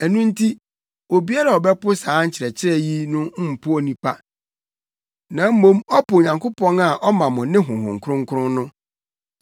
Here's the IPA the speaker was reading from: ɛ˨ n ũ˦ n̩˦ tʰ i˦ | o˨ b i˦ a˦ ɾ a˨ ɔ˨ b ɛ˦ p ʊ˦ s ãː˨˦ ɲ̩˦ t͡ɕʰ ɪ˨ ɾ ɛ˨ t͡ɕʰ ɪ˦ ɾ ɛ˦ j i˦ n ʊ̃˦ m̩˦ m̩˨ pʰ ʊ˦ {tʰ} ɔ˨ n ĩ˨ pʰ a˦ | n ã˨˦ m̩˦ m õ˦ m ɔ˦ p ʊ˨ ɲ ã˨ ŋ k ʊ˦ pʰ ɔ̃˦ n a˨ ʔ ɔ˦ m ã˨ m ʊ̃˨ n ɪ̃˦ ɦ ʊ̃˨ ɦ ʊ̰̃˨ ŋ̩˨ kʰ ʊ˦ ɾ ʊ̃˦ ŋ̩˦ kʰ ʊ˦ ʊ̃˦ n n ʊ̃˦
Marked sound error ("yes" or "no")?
yes